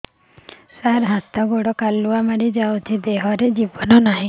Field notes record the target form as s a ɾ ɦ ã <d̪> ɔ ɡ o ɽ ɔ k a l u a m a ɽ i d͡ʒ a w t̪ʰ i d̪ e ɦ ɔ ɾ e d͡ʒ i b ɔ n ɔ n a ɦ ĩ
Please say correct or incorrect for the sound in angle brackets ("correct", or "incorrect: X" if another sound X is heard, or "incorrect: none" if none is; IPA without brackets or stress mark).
incorrect: t̪